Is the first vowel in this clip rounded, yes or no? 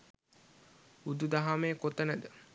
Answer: yes